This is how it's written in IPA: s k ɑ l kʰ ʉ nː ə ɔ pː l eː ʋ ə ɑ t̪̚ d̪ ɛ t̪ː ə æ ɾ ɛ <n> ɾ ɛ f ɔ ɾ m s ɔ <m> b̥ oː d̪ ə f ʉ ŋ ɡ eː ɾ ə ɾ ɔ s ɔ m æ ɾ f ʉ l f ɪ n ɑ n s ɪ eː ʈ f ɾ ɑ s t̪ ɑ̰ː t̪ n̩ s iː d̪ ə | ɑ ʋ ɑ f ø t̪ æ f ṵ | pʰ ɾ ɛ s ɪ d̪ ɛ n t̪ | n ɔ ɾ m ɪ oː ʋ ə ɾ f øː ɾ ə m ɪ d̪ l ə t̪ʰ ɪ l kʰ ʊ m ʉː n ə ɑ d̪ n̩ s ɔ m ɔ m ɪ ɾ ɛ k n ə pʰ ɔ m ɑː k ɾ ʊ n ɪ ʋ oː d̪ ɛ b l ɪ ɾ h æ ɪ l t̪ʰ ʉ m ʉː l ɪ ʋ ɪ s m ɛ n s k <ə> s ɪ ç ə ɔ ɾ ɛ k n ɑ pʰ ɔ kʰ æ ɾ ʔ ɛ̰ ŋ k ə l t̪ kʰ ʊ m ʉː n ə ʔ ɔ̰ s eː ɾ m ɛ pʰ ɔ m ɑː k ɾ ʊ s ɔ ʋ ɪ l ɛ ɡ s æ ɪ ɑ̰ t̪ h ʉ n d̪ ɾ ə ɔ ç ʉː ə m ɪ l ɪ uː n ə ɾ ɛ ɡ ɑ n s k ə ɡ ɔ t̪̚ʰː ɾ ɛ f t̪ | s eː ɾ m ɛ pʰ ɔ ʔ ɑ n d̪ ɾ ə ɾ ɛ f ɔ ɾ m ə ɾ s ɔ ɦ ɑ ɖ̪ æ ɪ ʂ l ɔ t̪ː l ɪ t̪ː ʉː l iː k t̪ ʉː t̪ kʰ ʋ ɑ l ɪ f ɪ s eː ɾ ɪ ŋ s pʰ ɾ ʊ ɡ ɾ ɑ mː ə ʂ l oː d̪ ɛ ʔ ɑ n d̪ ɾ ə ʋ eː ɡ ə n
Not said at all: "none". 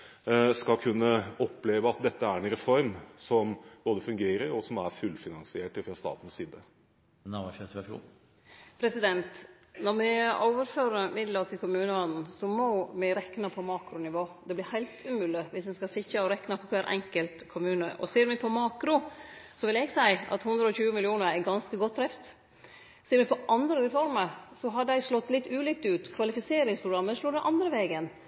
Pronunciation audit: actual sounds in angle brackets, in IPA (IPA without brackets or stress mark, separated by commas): n, m, ɑ